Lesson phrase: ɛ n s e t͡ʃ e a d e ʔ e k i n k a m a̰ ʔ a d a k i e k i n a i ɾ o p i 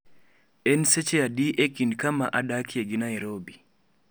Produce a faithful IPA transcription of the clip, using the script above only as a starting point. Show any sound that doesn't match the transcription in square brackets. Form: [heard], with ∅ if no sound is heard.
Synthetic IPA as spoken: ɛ n s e t͡ʃ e a d [i] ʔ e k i n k a m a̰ ʔ a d a k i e [ɡ] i n a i ɾ o [b] i